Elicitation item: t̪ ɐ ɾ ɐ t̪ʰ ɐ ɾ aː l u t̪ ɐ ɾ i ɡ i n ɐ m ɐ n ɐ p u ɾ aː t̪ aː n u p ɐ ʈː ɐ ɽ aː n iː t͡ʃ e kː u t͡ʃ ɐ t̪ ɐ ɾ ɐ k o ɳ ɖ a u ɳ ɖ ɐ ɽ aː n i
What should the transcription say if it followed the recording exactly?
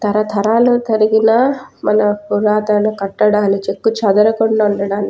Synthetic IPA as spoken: t̪ ɐ ɾ ɐ t̪ʰ ɐ ɾ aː l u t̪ ɐ ɾ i ɡ i n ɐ m ɐ n ɐ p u ɾ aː t̪ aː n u k ɐ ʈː ɐ ɽ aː n i t͡ʃ e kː u t͡ʃ ɐ d̪ ɐ ɾ ɐ k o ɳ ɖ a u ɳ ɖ ɐ ɽ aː n i

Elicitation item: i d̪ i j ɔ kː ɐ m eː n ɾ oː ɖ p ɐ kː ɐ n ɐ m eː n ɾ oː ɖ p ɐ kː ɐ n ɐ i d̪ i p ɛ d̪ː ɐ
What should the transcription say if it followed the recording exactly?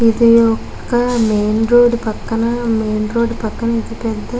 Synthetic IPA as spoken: i d̪ i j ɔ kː ɐ m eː n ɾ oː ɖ p ɐ kː ɐ n ɐ m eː n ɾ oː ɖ p ɐ kː ɐ n ɐ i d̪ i p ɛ d̪ː ɐ

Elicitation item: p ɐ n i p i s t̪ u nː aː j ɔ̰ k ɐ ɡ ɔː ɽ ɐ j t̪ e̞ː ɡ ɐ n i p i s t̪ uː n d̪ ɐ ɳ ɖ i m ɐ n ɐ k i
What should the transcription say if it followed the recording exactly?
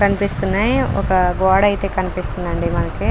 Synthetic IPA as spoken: k ɐ n i p i s t̪ u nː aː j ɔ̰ k ɐ ɡ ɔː ɽ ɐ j t̪ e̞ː k ɐ n i p i s t̪ u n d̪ ɐ ɳ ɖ i m ɐ n ɐ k i

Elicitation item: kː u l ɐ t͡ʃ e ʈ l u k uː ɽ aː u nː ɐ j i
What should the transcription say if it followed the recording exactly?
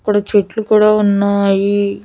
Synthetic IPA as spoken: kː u ɽ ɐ t͡ʃ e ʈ l u k uː ɽ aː u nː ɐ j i

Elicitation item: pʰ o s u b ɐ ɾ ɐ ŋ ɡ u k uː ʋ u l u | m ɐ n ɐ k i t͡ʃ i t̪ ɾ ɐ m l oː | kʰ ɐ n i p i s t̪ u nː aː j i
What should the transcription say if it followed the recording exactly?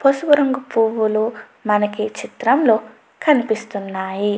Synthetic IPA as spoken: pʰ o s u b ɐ ɾ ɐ ŋ ɡ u p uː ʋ u l u | m ɐ n ɐ k i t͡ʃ i t̪ ɾ ɐ m l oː | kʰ ɐ n i p i s t̪ u nː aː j i

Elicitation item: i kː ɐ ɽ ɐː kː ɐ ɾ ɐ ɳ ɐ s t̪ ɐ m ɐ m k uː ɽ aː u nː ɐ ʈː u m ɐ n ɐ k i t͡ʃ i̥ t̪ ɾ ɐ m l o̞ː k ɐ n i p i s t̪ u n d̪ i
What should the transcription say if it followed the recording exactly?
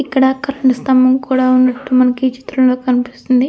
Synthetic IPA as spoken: i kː ɐ ɽ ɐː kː ɐ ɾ ɐ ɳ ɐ s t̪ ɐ m ɐ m k uː ɽ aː u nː ɐ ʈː u m ɐ n ɐ k i t͡ʃ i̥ t̪ ɾ ɐ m l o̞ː k ɐ n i p i s t̪ u n d̪ i

